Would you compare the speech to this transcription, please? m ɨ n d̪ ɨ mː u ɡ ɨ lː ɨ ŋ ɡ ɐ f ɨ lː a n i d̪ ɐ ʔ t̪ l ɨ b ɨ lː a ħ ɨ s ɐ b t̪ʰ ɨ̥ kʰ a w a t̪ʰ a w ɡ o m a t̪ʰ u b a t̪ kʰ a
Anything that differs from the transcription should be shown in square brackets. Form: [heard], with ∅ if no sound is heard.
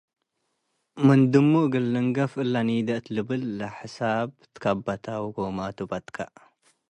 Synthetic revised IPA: m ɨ n d̪ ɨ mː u ɡ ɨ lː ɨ ŋ ɡ ɐ f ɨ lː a n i d̪ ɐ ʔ t̪ l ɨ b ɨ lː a ħ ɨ s [a] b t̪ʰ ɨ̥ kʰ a [b] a t̪ʰ a w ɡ o m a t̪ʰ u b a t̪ kʰ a